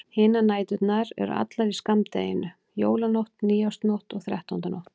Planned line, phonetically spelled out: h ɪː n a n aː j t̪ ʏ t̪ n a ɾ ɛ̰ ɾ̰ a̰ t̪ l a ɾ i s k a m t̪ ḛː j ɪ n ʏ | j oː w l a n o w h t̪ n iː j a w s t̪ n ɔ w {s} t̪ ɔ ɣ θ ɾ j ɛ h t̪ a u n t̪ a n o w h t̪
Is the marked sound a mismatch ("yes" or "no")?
yes